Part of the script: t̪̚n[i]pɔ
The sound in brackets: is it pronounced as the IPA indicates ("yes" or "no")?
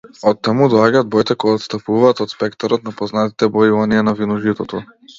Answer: no